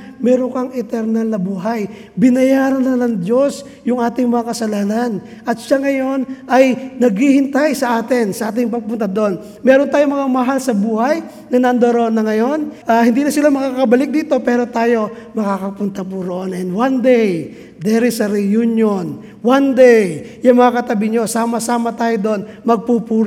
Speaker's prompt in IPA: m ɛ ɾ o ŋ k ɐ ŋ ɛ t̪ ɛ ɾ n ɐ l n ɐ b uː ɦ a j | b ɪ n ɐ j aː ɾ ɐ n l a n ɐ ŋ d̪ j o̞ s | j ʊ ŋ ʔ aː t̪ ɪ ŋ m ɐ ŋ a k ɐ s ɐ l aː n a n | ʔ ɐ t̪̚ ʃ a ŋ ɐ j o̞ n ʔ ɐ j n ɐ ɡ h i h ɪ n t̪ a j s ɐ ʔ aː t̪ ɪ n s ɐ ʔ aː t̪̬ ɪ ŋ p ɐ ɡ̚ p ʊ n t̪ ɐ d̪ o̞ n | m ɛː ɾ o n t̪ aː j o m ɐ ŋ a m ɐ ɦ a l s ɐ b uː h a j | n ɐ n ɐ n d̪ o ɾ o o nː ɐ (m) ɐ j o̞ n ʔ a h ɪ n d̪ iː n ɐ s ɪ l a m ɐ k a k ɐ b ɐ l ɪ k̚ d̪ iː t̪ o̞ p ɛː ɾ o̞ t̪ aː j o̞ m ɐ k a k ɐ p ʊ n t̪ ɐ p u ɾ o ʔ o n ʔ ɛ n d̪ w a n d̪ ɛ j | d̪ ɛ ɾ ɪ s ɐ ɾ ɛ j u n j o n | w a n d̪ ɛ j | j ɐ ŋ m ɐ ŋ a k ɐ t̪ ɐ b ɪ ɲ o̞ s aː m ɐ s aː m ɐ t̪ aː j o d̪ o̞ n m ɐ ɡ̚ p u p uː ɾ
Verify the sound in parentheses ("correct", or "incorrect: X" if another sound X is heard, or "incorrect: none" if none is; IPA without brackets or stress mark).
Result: incorrect: ŋ